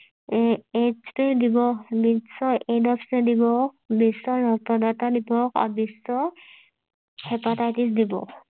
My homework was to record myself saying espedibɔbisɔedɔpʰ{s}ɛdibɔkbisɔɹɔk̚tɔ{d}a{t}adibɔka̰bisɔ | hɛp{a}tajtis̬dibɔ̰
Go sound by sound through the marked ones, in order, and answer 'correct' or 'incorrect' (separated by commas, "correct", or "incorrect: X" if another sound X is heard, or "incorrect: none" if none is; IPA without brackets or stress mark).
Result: correct, correct, correct, correct